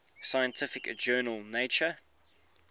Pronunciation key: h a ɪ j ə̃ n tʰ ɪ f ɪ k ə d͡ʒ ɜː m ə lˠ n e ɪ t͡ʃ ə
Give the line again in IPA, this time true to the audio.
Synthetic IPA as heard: s a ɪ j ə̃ n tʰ ɪ f ɪ k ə d͡ʒ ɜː n ə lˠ n e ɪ t͡ʃ ə